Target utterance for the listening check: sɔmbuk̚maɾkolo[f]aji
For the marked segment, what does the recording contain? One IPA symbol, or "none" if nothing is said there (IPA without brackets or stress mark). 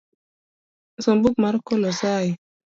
s